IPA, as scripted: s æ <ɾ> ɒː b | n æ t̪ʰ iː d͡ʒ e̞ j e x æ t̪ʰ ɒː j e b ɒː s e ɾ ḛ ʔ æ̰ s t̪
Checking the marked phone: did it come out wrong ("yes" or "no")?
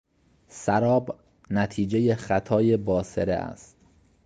no